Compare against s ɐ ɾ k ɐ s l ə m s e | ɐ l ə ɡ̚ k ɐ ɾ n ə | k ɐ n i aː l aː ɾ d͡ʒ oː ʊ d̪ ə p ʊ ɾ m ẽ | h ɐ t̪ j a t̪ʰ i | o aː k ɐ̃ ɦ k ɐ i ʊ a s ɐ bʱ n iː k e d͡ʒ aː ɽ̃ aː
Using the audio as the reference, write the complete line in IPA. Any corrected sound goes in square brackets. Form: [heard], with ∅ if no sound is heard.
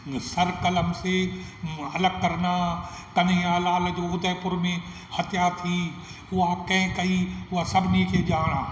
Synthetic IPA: s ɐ ɾ k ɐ [∅] l ə m s e | ɐ l ə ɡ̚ k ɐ ɾ n [a] | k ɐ n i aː l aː [l] d͡ʒ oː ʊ d̪ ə p ʊ ɾ m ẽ | h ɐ t̪ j a t̪ʰ i | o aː k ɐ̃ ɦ k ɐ i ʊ a s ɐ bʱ n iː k e d͡ʒ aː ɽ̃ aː

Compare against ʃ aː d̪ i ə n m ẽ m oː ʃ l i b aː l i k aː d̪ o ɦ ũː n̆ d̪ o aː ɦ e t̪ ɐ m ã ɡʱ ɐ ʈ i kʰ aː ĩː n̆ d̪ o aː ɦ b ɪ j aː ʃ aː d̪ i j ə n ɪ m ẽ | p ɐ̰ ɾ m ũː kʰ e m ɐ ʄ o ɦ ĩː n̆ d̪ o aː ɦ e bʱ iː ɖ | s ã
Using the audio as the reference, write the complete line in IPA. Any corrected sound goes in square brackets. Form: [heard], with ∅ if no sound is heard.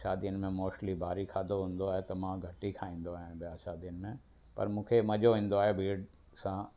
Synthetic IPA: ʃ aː d̪ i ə n m ẽ m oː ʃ l i b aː [ɾ] i [kʰ] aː d̪ o ɦ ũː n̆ d̪ o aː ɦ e t̪ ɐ m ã ɡʱ ɐ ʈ i kʰ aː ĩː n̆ d̪ o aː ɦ b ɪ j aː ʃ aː d̪ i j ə n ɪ m ẽ | p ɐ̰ ɾ m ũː kʰ e m ɐ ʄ o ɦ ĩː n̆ d̪ o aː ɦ e bʱ iː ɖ | s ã

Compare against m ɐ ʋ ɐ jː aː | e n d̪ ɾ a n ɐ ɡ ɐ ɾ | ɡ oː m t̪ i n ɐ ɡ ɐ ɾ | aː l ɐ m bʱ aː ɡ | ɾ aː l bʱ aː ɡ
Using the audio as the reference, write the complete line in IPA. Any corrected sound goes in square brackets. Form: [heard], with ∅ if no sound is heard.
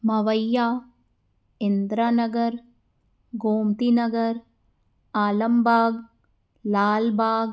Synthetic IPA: m ɐ ʋ ɐ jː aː | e n d̪ ɾ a n ɐ ɡ ɐ ɾ | ɡ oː m t̪ i n ɐ ɡ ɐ ɾ | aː l ɐ m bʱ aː ɡ | [l] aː l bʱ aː ɡ

